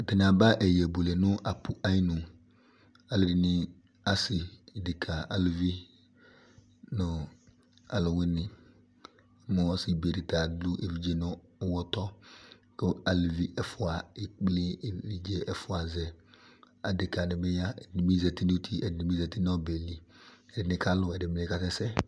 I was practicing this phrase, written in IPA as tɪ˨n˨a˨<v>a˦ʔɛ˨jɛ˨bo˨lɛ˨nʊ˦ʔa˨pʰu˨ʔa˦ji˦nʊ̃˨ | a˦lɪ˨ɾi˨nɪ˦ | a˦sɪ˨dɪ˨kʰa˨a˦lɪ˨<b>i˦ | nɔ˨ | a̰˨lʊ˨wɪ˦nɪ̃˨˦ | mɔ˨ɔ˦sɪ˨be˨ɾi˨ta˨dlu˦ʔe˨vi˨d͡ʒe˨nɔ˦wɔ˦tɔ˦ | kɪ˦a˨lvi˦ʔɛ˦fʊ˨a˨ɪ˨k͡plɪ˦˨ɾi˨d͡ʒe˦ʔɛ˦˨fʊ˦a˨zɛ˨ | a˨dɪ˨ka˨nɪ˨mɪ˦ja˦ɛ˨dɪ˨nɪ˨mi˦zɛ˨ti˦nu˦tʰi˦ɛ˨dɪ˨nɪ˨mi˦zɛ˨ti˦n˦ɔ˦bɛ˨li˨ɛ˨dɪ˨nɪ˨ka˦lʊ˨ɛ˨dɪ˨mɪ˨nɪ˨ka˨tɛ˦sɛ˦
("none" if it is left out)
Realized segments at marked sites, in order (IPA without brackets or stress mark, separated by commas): b, v